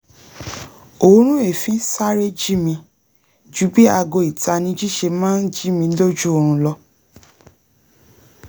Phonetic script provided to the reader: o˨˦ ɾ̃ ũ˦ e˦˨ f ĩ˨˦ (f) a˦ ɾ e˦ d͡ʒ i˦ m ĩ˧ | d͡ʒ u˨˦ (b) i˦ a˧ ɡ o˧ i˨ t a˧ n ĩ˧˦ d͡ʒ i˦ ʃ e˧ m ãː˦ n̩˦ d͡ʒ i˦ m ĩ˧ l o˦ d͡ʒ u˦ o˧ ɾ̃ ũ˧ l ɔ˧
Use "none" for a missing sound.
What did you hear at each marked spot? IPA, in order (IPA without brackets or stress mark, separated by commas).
s, b